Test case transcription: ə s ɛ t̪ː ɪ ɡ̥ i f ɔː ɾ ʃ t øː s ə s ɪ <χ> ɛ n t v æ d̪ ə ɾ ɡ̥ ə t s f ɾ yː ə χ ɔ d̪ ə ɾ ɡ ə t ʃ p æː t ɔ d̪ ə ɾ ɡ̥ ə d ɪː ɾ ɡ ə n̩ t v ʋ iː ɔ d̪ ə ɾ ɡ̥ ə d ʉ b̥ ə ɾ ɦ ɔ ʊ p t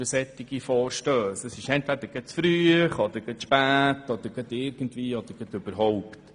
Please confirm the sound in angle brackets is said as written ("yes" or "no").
no